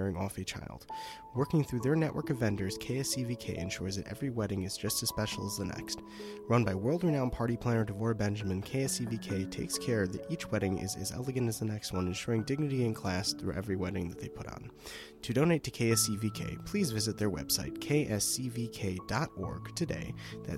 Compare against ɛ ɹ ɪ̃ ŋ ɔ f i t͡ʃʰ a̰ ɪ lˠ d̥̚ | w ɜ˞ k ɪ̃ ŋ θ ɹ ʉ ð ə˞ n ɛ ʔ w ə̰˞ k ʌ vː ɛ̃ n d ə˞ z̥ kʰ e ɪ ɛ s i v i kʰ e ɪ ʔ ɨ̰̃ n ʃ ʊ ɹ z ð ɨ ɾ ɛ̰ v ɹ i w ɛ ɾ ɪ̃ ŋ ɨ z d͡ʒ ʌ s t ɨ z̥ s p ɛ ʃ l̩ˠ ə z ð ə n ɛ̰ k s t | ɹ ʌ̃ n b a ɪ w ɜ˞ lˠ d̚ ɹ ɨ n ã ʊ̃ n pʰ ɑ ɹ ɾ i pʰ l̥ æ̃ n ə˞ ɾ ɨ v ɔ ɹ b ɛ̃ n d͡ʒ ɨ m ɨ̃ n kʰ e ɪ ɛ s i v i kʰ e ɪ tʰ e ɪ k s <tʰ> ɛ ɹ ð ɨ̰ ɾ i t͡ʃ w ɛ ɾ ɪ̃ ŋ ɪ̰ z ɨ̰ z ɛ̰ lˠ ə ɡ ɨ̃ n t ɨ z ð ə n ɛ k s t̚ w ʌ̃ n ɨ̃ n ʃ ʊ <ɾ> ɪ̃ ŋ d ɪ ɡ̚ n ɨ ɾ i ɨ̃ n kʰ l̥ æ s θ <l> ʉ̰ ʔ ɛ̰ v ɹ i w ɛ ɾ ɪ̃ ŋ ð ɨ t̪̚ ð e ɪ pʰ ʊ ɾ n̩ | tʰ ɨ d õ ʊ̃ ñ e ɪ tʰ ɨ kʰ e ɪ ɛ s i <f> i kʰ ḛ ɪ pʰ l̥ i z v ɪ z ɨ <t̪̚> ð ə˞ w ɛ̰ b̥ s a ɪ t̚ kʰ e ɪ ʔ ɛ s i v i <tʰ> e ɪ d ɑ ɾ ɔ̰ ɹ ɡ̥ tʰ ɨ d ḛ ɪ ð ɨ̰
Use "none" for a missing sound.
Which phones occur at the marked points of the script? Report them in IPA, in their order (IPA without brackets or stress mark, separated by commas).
kʰ, ɹ, ɹ, v, t̪̚, kʰ